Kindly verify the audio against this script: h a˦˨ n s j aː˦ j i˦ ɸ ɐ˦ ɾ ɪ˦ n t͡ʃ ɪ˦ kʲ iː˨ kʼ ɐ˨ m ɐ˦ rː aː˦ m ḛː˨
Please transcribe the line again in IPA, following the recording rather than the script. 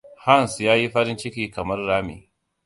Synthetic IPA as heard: h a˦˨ n s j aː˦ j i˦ ɸ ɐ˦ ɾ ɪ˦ n t͡ʃ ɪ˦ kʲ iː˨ k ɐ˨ m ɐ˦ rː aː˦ m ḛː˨